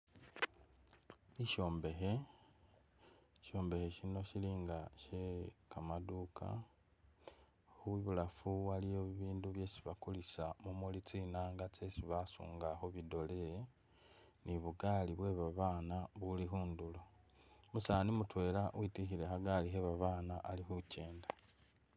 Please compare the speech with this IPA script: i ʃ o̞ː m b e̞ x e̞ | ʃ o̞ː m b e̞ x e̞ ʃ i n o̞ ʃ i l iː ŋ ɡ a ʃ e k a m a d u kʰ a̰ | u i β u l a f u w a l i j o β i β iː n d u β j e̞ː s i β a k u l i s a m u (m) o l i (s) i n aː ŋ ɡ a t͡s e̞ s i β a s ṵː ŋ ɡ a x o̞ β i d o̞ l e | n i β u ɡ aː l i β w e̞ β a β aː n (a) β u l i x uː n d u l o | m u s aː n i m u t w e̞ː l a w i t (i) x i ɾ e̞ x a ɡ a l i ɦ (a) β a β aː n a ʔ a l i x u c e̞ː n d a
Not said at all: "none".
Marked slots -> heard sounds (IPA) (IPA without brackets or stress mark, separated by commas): m, t͡s, a, i, e